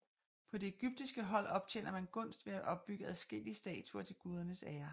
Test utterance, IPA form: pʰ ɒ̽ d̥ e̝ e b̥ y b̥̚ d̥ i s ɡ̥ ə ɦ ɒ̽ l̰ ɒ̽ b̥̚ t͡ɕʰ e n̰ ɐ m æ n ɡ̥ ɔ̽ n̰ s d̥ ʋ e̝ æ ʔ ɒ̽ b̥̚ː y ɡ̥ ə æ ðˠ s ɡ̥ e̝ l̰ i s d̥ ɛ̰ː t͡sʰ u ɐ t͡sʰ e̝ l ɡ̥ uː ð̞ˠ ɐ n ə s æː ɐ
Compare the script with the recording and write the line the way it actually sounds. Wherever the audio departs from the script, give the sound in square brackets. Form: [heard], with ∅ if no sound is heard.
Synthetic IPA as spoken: pʰ ɒ̽ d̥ e̝ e [ɡ̥] y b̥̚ d̥ i s ɡ̥ ə ɦ ɒ̽ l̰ ɒ̽ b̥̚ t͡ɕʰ e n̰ ɐ m æ n ɡ̥ ɔ̽ n̰ s d̥ ʋ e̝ æ ʔ ɒ̽ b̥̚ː y ɡ̥ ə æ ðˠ s ɡ̥ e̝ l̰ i s d̥ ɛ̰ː t͡sʰ u ɐ t͡sʰ e̝ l ɡ̥ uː ð̞ˠ ɐ n ə s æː ɐ